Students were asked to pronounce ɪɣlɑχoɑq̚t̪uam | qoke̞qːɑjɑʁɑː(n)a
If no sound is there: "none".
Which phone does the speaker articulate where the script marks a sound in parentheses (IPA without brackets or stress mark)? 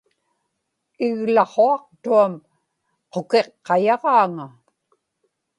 ŋ